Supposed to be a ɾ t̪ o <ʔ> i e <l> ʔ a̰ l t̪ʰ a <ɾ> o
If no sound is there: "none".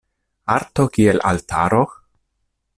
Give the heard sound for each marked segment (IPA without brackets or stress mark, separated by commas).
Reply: k, l, ɾ